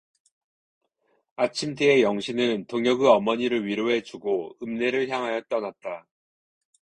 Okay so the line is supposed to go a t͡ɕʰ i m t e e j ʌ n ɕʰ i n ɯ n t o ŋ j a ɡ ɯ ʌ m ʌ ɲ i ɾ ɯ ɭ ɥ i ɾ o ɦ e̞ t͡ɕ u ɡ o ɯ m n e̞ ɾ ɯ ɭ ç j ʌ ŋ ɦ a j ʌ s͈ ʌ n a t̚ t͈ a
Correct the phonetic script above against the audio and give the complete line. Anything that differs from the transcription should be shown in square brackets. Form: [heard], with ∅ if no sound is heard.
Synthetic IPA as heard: a t͡ɕʰ i m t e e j ʌ [ŋ] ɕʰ i n ɯ n t o ŋ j [ʌ] ɡ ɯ ʌ m ʌ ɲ i ɾ ɯ ɭ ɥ i ɾ o ɦ e̞ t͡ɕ u ɡ o ɯ m n e̞ ɾ ɯ ɭ ç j [a] ŋ ɦ a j ʌ [t͈] ʌ n a t̚ t͈ a